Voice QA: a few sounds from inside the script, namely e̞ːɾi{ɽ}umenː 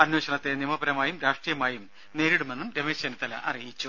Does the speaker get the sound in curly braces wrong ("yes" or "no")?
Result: no